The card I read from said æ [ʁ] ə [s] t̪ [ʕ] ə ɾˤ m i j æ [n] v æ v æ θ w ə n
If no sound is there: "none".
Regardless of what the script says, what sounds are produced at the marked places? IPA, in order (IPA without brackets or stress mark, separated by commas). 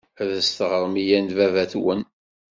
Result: ð, s, ʁ, n